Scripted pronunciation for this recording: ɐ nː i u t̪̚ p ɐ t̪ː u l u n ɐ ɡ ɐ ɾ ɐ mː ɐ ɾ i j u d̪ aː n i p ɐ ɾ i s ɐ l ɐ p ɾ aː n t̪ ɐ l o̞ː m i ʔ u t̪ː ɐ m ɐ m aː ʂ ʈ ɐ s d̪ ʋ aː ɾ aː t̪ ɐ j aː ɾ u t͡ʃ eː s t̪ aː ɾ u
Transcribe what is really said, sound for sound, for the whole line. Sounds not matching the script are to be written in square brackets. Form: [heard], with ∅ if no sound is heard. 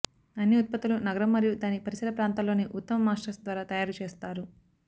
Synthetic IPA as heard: ɐ nː i u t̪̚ p ɐ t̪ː u l u n ɐ ɡ ɐ ɾ ɐ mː ɐ ɾ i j u d̪ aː n i p ɐ ɾ i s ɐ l ɐ p ɾ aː n t̪ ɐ l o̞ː [n] i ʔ u t̪ː ɐ m ɐ m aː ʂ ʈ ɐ s d̪ ʋ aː ɾ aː t̪ ɐ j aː ɾ u t͡ʃ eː s t̪ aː ɾ u